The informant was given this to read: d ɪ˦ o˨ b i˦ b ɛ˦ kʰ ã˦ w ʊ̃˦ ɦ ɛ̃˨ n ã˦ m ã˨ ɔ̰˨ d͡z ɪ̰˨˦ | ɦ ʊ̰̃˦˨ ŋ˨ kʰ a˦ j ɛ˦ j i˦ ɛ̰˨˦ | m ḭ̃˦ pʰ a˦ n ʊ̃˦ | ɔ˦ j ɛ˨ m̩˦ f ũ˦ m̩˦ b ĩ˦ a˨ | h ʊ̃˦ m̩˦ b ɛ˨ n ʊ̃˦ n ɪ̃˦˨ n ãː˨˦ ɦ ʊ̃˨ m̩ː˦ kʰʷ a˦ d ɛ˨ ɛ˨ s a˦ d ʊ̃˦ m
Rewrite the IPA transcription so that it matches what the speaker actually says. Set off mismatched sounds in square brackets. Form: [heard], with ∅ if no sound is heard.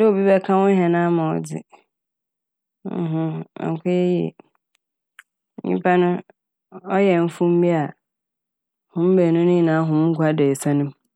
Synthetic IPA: d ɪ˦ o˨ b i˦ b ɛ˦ kʰ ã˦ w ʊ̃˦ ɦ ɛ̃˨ n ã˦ m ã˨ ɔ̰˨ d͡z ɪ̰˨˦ | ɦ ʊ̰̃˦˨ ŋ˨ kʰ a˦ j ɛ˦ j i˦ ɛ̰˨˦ | [ɲ] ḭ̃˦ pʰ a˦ n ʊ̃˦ | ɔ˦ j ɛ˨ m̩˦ f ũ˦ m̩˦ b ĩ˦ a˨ | h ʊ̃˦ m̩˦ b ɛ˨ n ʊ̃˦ n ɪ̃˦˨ n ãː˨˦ ɦ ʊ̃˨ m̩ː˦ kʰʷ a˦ d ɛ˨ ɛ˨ s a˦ [n] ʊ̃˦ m